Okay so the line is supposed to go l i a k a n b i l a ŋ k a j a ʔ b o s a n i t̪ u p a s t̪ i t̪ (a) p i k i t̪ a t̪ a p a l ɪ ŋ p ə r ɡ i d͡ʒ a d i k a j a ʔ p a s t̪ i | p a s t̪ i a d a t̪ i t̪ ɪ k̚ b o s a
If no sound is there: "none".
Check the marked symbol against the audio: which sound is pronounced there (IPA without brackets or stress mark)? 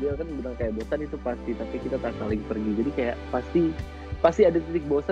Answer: a